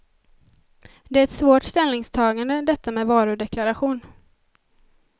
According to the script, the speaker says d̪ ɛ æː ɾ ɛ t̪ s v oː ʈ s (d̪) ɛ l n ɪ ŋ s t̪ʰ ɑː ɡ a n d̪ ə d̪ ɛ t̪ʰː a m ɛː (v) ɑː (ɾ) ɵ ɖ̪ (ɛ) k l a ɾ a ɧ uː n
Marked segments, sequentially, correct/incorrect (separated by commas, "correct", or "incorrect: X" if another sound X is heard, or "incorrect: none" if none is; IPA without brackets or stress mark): incorrect: t̪, correct, correct, correct